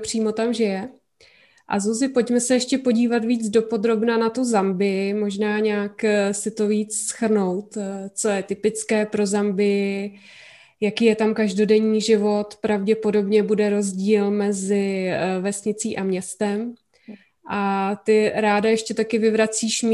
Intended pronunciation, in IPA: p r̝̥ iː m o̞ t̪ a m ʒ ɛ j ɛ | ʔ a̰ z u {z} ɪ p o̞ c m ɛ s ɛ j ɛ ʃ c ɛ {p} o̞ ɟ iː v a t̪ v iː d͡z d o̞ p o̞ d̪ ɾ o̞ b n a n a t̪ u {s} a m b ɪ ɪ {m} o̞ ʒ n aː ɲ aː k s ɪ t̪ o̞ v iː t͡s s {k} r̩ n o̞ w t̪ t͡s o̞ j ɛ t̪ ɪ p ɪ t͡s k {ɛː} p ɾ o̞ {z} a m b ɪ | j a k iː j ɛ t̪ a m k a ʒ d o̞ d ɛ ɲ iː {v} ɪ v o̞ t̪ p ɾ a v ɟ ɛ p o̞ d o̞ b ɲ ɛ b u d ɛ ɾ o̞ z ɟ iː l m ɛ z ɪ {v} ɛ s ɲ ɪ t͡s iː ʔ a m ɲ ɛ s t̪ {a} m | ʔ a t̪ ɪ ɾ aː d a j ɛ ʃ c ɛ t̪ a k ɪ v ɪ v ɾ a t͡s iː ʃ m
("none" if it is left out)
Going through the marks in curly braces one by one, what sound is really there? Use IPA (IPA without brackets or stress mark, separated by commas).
z, p, z, m, x, ɛː, z, ʒ, v, ɛ